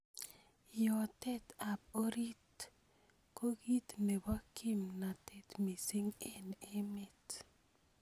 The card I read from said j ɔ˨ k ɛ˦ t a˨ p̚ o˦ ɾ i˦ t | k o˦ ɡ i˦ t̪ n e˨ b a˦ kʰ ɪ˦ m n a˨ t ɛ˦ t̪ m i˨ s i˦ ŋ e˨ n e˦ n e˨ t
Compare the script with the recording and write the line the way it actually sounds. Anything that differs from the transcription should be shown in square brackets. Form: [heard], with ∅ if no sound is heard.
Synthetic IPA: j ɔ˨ [t] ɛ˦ t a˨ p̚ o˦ ɾ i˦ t | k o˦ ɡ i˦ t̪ n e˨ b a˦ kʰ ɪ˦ m n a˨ t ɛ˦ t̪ m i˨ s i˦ ŋ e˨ n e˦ [m] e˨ t